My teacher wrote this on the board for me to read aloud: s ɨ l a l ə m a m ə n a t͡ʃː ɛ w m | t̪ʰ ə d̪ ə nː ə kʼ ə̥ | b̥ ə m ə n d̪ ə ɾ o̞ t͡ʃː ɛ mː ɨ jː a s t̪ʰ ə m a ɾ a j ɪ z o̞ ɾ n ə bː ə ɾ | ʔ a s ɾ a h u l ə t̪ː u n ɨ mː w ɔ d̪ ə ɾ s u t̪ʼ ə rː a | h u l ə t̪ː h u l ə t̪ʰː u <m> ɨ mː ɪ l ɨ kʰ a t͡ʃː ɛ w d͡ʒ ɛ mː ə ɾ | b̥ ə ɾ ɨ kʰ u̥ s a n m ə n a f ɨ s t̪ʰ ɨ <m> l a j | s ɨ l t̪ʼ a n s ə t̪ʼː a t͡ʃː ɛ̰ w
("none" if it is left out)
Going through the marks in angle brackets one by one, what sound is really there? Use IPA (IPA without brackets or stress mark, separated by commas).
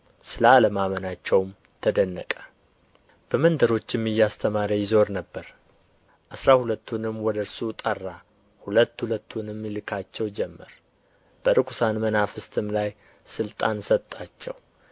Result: n, m